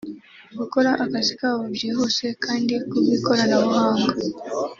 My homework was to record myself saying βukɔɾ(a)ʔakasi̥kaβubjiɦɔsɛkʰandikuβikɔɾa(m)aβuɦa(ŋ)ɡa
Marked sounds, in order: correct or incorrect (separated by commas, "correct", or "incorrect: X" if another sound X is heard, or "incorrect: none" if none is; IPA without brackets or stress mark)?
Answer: correct, incorrect: n, correct